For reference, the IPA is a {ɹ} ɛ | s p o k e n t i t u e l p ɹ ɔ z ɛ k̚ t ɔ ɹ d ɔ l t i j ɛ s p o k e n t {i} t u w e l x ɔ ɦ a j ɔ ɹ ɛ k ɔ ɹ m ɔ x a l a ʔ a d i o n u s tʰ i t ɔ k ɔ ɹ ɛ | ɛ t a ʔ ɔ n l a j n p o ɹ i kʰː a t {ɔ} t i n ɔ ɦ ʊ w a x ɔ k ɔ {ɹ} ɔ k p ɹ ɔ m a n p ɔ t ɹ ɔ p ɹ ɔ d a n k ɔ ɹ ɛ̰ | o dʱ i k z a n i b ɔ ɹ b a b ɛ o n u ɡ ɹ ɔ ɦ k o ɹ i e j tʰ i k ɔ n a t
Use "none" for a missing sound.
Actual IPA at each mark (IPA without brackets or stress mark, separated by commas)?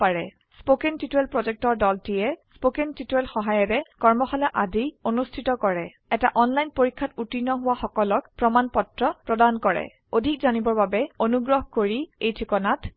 ɹ, i, u, l